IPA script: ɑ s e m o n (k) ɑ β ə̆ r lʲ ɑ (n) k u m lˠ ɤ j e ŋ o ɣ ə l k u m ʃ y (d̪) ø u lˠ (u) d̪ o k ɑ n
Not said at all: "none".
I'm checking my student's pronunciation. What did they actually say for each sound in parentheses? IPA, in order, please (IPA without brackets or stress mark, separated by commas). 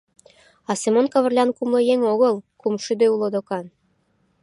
k, n, d̪, o